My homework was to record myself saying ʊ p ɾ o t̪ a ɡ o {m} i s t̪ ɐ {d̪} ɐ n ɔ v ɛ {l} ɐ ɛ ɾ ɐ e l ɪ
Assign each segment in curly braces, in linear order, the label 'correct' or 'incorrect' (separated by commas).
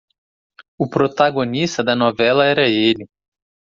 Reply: incorrect, correct, correct